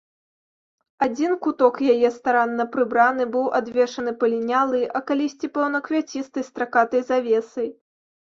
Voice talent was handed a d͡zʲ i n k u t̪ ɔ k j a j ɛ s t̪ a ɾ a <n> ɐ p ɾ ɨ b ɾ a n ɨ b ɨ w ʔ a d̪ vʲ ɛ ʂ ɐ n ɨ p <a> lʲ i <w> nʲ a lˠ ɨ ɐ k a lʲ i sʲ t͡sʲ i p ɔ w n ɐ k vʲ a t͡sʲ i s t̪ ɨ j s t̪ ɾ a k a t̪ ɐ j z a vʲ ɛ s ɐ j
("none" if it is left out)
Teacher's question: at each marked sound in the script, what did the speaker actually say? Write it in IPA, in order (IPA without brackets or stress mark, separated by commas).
nː, ɐ, none